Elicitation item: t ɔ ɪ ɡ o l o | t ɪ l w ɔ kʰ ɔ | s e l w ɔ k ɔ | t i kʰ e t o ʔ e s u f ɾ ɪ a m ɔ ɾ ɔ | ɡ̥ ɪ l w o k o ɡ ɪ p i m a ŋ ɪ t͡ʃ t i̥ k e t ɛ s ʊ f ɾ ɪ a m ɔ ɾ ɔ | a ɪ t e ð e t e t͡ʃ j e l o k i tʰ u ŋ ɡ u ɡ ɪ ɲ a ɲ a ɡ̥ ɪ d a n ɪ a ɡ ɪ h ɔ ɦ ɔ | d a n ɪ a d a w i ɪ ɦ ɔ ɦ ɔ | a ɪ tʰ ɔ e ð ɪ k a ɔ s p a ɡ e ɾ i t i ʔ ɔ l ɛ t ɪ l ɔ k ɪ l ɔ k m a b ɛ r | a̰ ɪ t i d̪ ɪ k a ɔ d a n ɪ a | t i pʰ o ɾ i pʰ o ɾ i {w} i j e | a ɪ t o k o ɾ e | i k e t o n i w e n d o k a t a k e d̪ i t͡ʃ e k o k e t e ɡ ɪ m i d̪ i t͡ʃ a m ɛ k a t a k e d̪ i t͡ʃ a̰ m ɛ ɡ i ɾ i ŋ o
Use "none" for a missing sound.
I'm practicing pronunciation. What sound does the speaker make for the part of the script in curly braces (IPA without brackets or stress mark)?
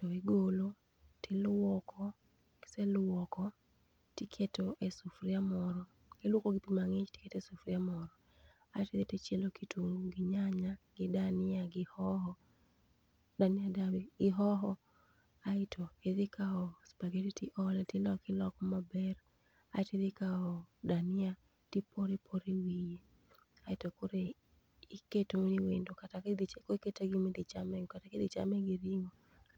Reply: w